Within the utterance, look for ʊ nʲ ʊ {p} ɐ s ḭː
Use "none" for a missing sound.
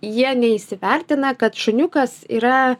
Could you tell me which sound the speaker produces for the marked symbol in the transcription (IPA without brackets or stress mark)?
k